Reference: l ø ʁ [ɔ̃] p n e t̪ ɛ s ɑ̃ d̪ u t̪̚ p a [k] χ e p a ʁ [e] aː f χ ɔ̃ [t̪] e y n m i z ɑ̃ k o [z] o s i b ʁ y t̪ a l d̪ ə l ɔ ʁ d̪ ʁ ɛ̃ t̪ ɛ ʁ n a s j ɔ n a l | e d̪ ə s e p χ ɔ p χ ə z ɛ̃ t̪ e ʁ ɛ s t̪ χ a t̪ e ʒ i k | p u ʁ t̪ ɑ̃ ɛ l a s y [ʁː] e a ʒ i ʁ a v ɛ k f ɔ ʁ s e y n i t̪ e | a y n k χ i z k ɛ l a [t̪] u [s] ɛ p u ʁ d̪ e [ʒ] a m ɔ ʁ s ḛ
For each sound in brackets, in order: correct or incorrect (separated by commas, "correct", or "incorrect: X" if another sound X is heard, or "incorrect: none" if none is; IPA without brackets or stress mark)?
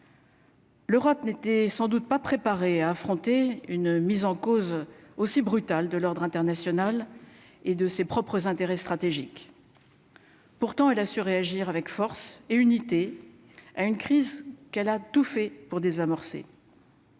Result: incorrect: ɔ, incorrect: p, correct, correct, correct, incorrect: ʁ, correct, incorrect: f, incorrect: z